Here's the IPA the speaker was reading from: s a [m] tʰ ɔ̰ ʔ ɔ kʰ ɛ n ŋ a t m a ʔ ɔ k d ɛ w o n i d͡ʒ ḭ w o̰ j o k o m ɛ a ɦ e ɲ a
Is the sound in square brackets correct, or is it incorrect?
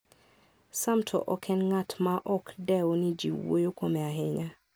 correct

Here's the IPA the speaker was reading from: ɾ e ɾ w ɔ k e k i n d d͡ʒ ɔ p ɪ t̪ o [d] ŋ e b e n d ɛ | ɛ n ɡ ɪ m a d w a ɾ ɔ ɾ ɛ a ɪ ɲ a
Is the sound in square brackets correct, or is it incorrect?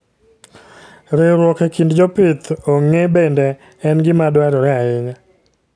incorrect: none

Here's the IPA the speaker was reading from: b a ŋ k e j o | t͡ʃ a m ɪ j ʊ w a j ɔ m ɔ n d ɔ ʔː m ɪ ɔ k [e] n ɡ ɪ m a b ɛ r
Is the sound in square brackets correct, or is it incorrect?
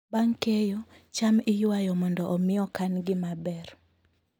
incorrect: a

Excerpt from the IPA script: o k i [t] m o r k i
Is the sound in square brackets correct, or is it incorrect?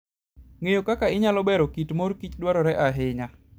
correct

